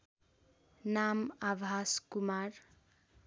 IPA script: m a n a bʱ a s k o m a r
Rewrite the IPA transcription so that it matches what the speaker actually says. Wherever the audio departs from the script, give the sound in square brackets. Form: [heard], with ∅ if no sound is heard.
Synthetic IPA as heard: [n] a [m] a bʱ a s k [u] m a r